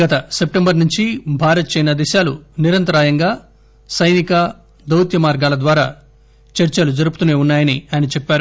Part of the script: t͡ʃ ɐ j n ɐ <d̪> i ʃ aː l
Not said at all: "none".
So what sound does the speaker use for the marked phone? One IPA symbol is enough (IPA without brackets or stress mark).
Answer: d̪